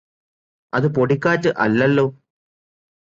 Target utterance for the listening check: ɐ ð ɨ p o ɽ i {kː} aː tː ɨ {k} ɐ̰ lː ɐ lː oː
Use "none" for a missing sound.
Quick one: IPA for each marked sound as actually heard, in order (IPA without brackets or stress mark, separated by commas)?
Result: kː, ʔ